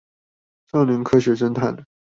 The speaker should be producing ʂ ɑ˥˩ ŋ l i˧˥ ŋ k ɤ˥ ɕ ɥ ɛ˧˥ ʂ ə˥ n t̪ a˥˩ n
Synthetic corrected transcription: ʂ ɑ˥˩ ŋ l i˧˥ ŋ kʰ ɤ˥ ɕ ɥ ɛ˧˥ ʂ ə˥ n t̪ʰ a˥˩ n